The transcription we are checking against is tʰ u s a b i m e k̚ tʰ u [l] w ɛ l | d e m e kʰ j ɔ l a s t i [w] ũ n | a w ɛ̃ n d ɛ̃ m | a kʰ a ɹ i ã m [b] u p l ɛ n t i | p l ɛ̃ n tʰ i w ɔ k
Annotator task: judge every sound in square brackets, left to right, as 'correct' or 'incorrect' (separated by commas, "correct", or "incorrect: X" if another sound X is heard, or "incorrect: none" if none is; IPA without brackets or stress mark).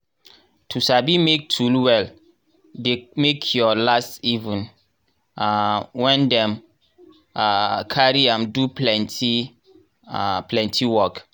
correct, incorrect: v, incorrect: d